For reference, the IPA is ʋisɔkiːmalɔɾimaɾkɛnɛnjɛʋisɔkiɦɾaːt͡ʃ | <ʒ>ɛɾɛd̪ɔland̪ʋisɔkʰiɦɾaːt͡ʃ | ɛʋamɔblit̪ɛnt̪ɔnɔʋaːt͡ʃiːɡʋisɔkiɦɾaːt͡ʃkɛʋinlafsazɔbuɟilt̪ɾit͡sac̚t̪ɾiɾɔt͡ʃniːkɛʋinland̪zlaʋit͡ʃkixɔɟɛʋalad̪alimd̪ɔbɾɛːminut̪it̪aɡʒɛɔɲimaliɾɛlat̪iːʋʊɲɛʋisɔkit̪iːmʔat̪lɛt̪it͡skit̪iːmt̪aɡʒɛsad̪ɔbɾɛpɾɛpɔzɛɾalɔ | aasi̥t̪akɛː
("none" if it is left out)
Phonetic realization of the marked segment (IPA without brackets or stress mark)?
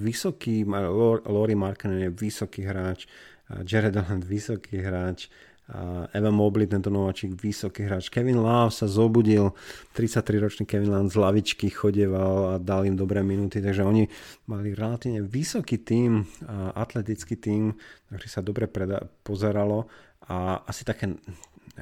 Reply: d͡ʒ